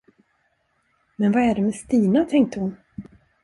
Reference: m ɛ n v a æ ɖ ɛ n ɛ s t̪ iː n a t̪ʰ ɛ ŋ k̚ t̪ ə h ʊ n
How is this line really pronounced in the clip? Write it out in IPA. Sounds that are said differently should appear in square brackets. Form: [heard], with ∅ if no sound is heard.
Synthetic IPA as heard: m ɛ n v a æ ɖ ɛ [m] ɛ s t̪ iː n a t̪ʰ ɛ ŋ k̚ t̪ ə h ʊ n